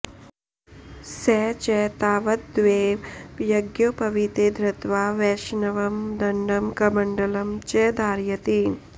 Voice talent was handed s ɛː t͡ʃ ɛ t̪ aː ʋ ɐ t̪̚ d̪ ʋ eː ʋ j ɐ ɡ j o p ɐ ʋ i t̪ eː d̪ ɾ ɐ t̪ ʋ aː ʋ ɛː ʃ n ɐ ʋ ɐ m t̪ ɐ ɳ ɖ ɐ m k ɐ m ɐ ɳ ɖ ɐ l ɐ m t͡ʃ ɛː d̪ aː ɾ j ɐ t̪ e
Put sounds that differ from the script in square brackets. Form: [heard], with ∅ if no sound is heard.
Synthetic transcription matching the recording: s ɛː t͡ʃ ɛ t̪ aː ʋ ɐ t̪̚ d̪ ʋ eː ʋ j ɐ ɡ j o p ɐ ʋ i t̪ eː d̪ ɾ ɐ t̪ ʋ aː ʋ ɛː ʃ n ɐ ʋ ɐ m [d̪] ɐ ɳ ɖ ɐ m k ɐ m ɐ ɳ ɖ ɐ l ɐ m t͡ʃ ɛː d̪ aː ɾ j ɐ t̪ [i]